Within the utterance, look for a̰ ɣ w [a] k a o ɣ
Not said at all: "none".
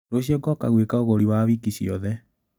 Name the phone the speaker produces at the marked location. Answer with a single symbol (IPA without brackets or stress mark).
e